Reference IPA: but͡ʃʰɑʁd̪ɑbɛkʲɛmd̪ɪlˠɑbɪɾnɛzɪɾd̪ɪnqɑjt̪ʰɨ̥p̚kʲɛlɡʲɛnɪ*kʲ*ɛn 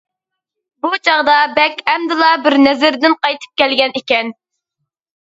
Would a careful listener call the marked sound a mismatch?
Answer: no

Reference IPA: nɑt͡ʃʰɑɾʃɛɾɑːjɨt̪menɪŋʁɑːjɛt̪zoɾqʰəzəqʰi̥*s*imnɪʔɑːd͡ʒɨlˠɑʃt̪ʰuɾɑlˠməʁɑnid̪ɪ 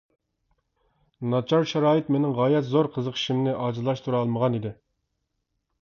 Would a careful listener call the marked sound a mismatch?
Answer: yes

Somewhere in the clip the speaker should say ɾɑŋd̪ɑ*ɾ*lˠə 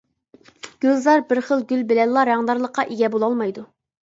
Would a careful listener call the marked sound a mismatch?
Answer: no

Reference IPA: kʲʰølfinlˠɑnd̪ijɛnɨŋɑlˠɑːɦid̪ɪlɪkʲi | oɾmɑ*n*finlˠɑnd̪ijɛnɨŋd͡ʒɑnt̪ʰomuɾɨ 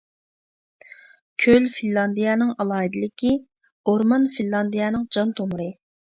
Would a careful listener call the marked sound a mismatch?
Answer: no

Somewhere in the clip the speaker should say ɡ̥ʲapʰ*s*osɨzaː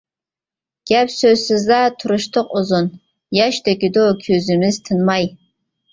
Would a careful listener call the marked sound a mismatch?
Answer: no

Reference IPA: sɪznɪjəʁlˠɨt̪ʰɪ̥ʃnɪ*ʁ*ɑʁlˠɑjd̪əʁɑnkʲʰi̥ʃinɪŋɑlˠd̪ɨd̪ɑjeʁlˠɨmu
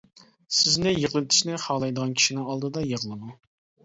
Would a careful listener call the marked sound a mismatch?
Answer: yes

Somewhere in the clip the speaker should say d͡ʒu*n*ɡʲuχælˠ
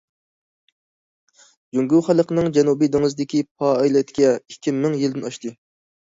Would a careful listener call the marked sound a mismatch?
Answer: yes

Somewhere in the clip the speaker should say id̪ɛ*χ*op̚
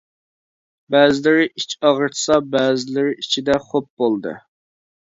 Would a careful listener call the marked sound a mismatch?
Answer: no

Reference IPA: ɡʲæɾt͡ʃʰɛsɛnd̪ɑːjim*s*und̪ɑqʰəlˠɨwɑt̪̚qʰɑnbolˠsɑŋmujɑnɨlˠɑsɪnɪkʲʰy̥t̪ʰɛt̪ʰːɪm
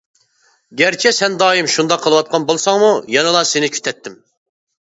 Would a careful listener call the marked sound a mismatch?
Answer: yes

